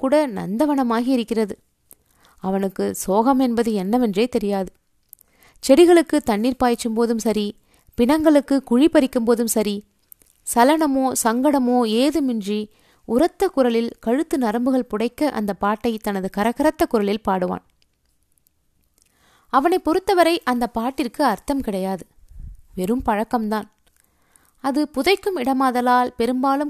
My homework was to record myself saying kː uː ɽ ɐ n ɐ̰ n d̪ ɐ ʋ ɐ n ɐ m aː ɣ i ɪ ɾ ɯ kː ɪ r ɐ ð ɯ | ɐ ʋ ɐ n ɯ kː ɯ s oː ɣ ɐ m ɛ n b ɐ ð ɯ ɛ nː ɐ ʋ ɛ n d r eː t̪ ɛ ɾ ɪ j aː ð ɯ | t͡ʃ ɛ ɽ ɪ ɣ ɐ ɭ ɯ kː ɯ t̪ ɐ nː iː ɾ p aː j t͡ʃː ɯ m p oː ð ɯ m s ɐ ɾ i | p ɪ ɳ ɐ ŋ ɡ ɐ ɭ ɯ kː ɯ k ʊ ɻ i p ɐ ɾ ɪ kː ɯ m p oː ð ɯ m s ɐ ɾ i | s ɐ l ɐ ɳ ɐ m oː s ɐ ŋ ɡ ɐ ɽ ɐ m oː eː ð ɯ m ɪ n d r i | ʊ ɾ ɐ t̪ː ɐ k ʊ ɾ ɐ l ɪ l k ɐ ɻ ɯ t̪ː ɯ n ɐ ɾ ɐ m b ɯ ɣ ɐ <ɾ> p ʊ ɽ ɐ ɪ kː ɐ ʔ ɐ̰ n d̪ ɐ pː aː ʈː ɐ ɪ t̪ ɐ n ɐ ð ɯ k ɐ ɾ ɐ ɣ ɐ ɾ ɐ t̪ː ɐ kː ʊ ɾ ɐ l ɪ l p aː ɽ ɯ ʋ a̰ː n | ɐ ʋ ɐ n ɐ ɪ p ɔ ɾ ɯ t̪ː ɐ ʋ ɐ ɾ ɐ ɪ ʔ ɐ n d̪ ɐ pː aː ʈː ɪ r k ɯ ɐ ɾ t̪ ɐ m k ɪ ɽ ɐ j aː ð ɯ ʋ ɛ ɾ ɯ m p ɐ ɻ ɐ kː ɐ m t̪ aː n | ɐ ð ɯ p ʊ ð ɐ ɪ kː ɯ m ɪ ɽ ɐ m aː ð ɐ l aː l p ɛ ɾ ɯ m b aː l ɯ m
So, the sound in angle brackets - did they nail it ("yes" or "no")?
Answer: no